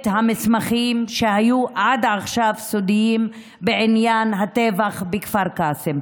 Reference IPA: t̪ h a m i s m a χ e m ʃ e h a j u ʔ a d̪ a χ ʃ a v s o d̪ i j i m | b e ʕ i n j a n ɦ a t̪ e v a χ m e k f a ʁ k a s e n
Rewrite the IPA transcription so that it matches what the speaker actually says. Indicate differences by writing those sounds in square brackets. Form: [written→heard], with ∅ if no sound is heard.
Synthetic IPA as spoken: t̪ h a m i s m a χ [e→i] m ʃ e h a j u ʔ a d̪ a χ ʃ a v s o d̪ i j i m | b e ʕ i n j a n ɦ a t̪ e v a χ [m→b] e k f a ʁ k a s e [n→m]

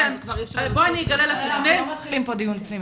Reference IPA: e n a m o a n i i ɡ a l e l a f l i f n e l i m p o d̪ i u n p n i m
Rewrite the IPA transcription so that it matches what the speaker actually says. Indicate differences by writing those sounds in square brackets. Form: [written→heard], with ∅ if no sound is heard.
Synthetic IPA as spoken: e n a [m→b] o a n i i ɡ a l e l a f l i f n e l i m p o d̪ i u n p n i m

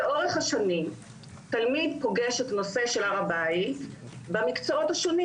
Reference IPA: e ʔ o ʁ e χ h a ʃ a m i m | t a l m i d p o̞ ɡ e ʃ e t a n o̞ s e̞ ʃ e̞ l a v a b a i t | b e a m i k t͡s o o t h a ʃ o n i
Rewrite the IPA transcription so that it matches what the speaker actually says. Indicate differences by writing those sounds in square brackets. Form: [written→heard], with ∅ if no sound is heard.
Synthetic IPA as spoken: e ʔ o ʁ e χ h a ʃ a [m→n] i m | t a l m i d p o̞ ɡ e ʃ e t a n o̞ s e̞ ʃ e̞ l a [v→ʁ] a b a i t | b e a m i k t͡s o o t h a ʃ o n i

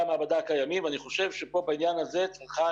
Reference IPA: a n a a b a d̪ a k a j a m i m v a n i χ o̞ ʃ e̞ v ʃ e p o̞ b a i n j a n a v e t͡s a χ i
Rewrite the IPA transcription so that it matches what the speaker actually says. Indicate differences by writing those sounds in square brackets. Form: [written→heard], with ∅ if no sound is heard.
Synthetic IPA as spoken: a [n→m] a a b a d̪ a k a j a m i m v a n i χ o̞ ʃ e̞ v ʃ e p o̞ b a i n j a n a [v→z] e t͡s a χ [i→a]

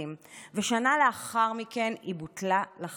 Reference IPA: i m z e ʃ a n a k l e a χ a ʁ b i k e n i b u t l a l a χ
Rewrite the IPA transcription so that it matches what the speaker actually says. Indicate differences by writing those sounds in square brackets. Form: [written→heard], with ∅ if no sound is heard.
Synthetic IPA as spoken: i m [z→v] e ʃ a n a [k→∅] l e a χ a ʁ [b→m] i k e n i b u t l a l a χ

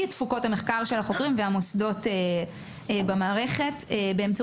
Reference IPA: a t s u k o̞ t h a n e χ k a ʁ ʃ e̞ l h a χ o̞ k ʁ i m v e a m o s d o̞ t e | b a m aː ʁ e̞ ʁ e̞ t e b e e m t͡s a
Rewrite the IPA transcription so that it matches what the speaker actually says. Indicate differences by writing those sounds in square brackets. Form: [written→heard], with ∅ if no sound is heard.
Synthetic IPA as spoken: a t [s→f] u k o̞ t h a [n→m] e χ k a ʁ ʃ e̞ l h a χ o̞ k ʁ i m v e a m o s d o̞ t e | b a m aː ʁ e̞ [ʁ→χ] e̞ t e b e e m t͡s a

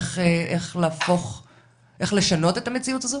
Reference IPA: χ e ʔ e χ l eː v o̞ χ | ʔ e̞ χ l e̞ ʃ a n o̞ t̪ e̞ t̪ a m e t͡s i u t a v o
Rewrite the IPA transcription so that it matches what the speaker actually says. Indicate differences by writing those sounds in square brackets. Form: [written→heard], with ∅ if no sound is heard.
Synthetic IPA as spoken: χ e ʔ e χ l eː [v→f] o̞ χ | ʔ e̞ χ l e̞ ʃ a n o̞ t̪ e̞ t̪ a m e t͡s i u t a [v→z] o

